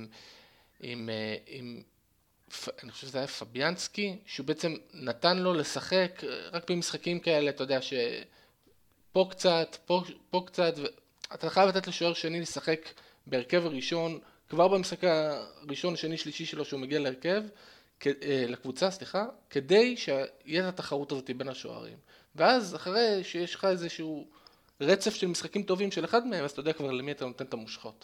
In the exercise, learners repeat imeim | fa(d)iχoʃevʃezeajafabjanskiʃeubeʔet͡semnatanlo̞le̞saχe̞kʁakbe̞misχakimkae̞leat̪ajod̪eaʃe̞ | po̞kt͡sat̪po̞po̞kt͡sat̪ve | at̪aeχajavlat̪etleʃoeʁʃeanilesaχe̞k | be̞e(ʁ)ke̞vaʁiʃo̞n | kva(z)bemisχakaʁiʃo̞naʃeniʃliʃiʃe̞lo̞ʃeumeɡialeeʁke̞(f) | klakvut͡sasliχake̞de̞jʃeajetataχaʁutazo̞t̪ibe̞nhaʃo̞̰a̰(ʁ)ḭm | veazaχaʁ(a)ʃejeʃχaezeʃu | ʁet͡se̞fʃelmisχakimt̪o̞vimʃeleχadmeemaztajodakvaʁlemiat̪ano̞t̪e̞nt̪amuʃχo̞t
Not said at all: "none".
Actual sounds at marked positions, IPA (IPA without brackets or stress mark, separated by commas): n, ʁ, ʁ, v, ʁ, e